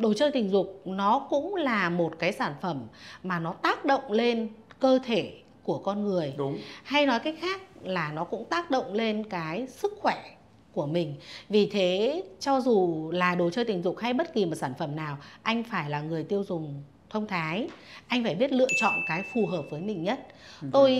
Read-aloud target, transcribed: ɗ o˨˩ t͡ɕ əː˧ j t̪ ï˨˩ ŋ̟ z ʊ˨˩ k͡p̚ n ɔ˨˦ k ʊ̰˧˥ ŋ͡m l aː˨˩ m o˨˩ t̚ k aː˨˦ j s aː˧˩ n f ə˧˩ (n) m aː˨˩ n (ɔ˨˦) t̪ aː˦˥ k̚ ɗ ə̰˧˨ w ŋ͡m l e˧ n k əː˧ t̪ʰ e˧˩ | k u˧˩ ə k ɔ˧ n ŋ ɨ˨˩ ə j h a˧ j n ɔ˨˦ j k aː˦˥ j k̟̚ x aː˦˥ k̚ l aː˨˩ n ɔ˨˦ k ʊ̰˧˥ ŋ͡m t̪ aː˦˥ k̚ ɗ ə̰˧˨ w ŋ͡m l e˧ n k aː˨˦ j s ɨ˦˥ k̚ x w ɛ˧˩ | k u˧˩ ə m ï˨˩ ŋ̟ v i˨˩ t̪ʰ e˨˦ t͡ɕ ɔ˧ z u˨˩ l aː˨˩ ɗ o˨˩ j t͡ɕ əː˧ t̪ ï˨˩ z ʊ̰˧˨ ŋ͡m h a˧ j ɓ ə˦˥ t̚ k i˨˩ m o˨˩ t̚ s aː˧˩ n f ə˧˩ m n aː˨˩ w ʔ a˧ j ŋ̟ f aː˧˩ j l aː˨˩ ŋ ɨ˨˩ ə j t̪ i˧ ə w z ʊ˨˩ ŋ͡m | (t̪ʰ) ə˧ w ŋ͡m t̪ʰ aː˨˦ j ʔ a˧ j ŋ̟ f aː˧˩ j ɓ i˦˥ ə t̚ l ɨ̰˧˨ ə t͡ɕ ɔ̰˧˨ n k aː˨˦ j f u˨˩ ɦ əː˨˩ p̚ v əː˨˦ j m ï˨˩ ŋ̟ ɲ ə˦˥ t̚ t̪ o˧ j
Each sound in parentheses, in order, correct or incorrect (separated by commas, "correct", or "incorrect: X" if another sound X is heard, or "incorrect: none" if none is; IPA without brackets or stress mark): incorrect: m, correct, correct